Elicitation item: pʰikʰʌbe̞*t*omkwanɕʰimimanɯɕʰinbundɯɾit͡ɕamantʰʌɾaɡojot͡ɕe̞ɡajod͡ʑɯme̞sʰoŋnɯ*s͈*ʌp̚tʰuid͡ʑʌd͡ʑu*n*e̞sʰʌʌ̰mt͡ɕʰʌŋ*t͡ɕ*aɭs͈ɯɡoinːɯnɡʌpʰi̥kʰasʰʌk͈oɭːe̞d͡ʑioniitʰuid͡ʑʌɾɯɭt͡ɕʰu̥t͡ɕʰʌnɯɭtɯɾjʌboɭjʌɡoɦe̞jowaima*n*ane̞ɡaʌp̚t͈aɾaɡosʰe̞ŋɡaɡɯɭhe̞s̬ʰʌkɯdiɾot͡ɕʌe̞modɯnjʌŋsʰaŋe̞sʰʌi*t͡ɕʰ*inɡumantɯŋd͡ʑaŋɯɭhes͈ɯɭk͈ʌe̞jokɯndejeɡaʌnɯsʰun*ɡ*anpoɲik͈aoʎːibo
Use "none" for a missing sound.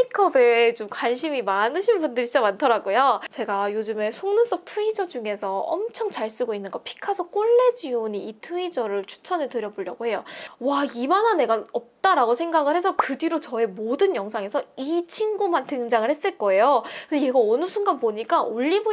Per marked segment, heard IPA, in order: t͡ɕ, s͈, ŋ, t͡ɕ, n, t͡ɕʰ, ɡ

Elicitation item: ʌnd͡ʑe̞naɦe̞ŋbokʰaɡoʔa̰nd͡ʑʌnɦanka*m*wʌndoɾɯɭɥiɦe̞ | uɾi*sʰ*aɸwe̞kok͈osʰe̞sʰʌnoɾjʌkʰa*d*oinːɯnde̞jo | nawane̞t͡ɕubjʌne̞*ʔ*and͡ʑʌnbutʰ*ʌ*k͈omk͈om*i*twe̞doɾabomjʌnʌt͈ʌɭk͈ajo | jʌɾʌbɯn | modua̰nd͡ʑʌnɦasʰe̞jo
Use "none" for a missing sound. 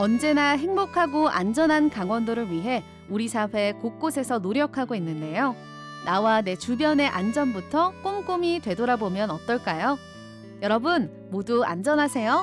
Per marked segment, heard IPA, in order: ŋ, sʰ, ɡ, ʔ, ʌ, i

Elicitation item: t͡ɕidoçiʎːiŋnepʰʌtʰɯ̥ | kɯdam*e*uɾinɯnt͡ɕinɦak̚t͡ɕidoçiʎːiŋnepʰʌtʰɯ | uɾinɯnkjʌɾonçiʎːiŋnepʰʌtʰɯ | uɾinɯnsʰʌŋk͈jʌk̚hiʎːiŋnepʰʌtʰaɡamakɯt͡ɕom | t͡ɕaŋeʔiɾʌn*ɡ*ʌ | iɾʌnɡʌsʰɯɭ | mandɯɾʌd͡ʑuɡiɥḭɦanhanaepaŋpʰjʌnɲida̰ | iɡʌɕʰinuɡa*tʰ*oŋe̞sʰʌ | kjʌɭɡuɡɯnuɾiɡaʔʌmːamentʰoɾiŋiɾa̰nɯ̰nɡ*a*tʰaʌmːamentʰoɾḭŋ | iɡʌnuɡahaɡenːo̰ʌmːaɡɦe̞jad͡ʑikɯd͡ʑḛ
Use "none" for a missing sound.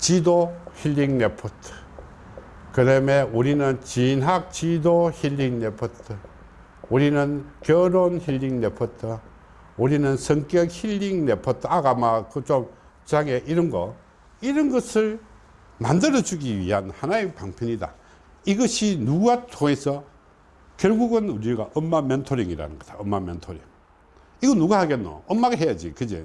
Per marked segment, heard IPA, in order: e, ɡ, tʰ, ʌ

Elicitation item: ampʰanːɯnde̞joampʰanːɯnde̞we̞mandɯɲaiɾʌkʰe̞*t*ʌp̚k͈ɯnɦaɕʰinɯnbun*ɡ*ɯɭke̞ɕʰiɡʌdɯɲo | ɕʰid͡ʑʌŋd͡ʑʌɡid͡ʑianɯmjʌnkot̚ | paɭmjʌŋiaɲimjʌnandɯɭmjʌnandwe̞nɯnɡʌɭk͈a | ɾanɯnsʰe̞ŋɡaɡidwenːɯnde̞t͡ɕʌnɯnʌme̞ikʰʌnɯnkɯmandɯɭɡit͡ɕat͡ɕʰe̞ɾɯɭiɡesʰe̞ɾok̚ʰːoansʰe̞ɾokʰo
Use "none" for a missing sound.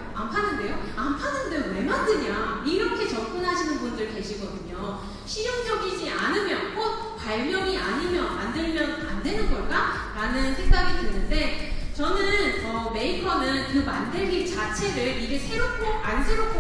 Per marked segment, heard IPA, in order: t͡ɕ, d

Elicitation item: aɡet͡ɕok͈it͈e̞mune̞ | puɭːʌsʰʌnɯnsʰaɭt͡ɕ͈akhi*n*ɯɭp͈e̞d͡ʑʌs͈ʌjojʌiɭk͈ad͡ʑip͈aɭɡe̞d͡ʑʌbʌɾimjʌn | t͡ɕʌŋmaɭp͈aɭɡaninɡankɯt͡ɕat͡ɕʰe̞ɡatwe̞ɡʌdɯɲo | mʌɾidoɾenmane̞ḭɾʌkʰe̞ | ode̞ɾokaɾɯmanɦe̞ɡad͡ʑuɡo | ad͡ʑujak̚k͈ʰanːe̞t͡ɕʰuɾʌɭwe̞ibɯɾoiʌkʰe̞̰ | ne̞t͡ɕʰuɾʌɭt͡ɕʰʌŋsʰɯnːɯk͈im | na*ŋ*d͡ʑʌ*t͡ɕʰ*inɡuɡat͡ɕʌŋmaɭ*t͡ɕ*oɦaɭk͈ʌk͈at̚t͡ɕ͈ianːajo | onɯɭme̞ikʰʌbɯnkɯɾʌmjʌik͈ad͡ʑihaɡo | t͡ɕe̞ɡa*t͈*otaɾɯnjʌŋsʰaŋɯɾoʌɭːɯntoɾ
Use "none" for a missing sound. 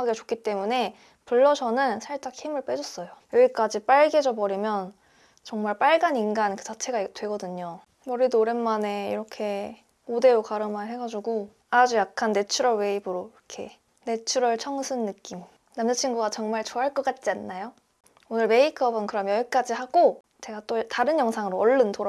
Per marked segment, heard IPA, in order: m, m, t͡ɕʰ, t͡ɕ, t͈

